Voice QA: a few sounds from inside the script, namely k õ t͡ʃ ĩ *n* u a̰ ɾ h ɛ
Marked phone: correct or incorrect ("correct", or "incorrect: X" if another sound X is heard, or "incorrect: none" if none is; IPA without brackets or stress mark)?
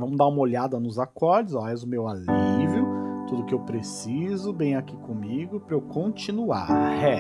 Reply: correct